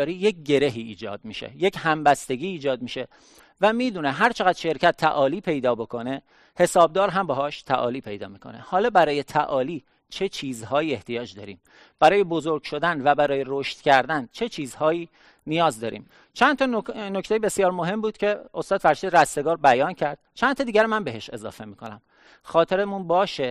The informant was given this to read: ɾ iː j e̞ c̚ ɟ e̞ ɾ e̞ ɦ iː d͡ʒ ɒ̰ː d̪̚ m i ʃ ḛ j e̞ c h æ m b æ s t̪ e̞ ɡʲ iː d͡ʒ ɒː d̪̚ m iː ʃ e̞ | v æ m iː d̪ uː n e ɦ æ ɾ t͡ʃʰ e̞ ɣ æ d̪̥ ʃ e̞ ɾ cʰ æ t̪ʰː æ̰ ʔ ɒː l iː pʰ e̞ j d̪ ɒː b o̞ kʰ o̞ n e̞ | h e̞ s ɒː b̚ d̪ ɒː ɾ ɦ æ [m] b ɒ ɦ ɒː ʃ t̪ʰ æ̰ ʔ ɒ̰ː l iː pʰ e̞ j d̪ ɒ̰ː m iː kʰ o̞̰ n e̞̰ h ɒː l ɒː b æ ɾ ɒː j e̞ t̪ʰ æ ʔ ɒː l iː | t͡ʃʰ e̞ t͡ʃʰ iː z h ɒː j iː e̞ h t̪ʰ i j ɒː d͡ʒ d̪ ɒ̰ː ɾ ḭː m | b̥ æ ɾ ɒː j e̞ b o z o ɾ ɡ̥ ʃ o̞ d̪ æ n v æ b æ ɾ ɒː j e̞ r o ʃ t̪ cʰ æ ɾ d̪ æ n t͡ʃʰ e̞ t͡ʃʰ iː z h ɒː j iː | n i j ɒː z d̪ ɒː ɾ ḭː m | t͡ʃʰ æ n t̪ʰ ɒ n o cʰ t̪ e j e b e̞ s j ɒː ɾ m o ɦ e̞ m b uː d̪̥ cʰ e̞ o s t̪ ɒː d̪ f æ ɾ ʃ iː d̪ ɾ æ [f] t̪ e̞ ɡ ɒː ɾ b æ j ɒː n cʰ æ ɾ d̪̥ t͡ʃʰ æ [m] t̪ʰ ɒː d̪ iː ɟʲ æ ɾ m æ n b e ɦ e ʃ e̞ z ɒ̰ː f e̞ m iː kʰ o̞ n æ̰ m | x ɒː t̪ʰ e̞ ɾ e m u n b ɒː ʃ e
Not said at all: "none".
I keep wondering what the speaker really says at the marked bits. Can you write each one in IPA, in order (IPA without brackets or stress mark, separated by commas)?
m, s, n